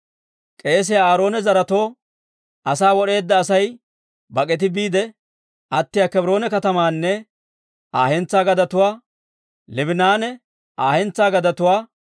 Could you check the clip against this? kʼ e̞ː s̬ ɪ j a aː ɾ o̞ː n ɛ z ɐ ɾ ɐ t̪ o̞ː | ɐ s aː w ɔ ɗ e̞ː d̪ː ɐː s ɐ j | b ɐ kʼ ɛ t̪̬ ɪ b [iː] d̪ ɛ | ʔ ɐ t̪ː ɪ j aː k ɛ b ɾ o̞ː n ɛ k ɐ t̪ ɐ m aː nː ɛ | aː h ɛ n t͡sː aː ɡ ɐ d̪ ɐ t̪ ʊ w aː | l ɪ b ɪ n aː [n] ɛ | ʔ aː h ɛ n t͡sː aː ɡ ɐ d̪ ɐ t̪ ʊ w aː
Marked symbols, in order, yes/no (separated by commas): yes, yes